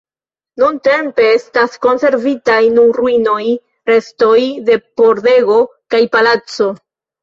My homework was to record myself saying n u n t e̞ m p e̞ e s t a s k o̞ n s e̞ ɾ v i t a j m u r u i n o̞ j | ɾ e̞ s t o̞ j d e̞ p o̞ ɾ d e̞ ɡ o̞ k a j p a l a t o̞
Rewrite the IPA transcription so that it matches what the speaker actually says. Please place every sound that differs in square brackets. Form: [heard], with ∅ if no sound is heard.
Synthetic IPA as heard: n u n t e̞ m p e̞ e s t a s k o̞ n s e̞ ɾ v i t a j [n] u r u i n o̞ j | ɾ e̞ s t o̞ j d e̞ p o̞ ɾ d e̞ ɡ o̞ k a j p a l a [t͡s] o̞